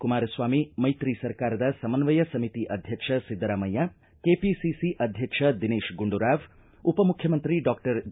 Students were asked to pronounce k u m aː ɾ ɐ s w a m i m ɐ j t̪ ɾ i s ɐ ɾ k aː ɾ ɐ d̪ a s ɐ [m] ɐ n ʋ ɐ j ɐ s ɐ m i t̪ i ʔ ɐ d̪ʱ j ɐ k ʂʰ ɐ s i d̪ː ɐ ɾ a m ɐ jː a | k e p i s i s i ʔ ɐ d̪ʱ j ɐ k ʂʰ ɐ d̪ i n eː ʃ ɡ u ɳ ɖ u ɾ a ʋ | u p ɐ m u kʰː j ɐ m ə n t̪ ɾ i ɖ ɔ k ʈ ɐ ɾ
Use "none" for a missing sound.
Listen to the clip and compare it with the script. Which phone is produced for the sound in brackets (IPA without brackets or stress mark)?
m